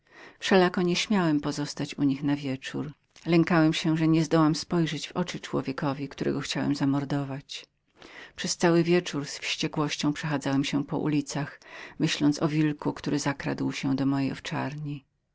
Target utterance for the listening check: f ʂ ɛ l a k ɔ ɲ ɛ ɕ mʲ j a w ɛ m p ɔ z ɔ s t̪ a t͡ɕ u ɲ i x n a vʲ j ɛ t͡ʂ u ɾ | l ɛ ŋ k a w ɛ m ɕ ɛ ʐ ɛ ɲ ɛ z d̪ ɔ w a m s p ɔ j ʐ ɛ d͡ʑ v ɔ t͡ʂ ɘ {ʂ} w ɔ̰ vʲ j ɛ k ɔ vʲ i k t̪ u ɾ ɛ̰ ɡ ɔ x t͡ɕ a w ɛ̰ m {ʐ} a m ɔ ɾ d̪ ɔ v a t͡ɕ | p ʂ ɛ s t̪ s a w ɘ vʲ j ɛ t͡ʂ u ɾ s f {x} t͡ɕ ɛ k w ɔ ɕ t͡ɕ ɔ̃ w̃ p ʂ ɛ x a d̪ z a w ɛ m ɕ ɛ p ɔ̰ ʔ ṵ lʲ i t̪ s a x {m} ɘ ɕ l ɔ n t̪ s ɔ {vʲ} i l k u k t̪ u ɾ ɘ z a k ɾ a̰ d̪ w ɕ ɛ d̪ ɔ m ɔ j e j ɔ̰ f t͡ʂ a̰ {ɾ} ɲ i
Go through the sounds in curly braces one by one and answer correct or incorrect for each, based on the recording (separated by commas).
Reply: incorrect, incorrect, incorrect, correct, correct, correct